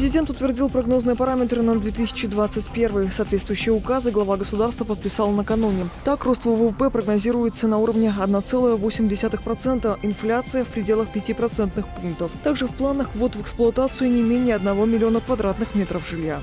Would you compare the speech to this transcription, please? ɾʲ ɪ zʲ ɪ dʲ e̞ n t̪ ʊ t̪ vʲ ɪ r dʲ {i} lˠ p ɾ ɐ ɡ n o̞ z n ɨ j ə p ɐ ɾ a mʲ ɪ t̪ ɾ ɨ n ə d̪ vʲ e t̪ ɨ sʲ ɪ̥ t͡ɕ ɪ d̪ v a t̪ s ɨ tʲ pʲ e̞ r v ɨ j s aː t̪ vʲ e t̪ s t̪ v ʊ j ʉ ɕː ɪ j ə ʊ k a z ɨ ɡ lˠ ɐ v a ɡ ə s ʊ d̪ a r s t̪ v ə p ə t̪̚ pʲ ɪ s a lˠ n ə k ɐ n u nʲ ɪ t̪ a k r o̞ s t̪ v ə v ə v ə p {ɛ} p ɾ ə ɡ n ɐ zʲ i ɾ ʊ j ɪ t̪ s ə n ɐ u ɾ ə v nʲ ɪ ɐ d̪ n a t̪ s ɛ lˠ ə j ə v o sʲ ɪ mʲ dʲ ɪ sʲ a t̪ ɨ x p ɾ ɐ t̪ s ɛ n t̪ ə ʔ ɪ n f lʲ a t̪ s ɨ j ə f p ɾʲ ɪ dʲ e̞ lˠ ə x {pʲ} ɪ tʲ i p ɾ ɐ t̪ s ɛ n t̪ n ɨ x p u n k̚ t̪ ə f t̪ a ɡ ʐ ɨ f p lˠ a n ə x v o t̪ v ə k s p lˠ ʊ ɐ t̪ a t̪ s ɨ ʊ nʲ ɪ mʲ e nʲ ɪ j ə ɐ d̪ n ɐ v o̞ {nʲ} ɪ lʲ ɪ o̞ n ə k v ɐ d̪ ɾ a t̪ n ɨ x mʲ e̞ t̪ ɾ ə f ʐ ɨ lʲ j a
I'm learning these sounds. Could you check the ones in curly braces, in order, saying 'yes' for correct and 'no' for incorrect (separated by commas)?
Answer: yes, yes, yes, no